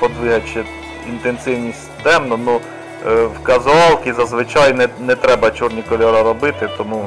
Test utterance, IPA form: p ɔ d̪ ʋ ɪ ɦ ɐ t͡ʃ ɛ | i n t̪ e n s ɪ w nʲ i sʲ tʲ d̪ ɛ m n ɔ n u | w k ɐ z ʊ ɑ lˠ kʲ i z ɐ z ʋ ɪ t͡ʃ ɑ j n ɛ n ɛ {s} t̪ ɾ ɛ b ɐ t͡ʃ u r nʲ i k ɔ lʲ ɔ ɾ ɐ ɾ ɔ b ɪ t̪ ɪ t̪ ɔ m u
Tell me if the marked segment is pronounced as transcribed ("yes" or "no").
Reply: no